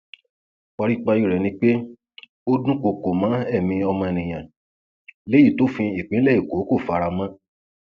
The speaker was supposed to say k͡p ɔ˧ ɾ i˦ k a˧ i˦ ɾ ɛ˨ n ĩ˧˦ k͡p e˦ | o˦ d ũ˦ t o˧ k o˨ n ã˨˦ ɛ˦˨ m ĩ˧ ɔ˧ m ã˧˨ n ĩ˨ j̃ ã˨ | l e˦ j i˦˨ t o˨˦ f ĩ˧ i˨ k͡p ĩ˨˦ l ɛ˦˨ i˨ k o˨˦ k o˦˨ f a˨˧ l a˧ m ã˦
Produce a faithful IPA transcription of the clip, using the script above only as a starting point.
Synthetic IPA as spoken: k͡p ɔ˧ ɾ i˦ k͡p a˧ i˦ ɾ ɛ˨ n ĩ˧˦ k͡p e˦ | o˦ d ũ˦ k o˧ k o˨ m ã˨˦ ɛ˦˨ m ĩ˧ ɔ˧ m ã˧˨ n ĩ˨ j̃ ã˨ | l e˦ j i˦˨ t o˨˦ f ĩ˧ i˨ k͡p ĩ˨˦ l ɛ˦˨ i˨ k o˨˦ k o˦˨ f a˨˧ ɾ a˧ m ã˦